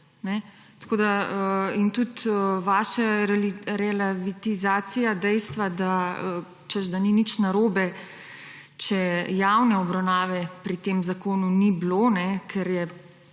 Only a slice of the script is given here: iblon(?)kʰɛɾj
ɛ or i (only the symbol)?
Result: ɛ